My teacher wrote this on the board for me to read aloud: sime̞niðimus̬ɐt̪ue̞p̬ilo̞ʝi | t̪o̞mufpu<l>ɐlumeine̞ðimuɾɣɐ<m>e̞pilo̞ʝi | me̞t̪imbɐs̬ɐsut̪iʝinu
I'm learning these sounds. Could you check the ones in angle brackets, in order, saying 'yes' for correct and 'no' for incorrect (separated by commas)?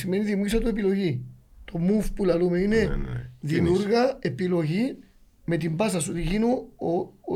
yes, no